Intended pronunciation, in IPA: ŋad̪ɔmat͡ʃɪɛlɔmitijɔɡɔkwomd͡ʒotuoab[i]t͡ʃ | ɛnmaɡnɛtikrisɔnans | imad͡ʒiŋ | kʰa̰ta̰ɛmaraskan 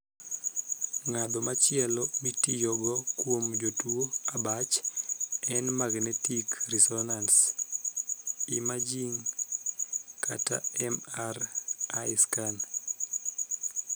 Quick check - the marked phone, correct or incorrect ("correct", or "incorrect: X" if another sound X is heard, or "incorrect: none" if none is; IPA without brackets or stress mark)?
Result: incorrect: a